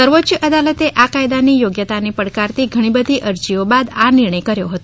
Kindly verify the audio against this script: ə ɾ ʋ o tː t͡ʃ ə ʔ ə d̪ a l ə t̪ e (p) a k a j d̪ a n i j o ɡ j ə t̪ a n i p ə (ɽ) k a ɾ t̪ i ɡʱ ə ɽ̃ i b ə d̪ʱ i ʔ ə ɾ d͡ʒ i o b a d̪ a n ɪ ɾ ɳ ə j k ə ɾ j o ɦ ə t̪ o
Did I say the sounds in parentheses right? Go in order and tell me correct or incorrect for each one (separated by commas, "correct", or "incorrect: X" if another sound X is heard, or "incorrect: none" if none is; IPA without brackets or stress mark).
incorrect: ʔ, correct